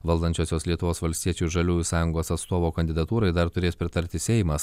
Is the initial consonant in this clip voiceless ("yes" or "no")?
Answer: no